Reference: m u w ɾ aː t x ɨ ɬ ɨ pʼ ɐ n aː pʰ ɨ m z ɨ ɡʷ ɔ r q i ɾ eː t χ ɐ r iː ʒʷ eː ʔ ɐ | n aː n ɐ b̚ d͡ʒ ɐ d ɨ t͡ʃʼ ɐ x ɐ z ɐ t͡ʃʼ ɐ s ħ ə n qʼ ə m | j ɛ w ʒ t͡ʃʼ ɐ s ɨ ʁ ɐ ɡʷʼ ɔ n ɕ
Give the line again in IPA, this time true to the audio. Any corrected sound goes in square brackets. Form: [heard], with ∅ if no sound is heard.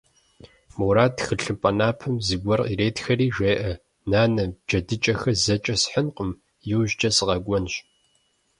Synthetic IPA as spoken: m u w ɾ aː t x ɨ ɬ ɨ pʼ ɐ n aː pʰ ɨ m z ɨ ɡʷ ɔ r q i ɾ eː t [x] ɐ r iː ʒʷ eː ʔ ɐ | n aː n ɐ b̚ d͡ʒ ɐ d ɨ t͡ʃʼ ɐ x ɐ z ɐ t͡ʃʼ ɐ s ħ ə n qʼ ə m | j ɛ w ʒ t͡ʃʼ ɐ s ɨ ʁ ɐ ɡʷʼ ɔ n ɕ

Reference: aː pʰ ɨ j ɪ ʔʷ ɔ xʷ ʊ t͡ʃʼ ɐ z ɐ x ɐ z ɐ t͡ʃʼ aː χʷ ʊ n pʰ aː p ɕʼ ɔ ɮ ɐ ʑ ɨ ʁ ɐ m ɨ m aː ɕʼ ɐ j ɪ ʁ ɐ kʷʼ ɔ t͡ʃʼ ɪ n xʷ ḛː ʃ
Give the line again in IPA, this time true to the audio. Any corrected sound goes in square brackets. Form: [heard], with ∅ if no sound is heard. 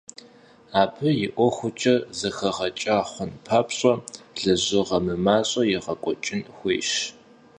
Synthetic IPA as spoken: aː pʰ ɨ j ɪ ʔʷ ɔ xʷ ʊ t͡ʃʼ ɐ z ɐ x ɐ [ʁ] ɐ t͡ʃʼ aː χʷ ʊ n pʰ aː p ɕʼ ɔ ɮ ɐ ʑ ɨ ʁ ɐ m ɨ m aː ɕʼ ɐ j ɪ ʁ ɐ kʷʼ ɔ t͡ʃʼ ɪ n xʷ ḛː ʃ

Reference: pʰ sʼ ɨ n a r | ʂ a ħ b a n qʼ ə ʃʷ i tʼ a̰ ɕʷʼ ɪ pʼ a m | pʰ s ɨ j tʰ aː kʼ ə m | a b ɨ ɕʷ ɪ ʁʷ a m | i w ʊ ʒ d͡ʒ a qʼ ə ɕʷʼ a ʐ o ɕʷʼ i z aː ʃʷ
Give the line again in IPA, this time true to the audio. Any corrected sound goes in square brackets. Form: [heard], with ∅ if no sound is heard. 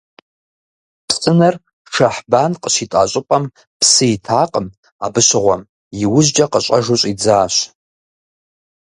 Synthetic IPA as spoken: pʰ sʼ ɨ n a r | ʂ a ħ b a n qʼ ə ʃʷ i tʼ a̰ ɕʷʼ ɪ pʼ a m | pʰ s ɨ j tʰ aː [qʼ] ə m | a b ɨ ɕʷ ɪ ʁʷ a m | i w ʊ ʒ d͡ʒ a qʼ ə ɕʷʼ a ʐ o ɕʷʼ i [d͡z] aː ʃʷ

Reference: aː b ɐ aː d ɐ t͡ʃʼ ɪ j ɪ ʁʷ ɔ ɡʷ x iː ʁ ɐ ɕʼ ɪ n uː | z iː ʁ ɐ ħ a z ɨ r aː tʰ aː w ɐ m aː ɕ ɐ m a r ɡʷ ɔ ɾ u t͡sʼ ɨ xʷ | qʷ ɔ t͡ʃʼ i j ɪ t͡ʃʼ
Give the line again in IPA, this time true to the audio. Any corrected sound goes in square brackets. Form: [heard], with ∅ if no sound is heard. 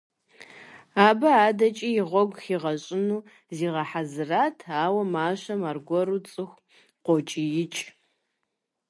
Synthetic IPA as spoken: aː b ɐ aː d ɐ t͡ʃʼ [i] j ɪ ʁʷ ɔ ɡʷ x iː ʁ ɐ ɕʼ ɪ n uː | z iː ʁ ɐ ħ a z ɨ r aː tʰ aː w ɐ m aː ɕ ɐ m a r ɡʷ ɔ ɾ u t͡sʼ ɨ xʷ | qʷ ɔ t͡ʃʼ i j ɪ t͡ʃʼ

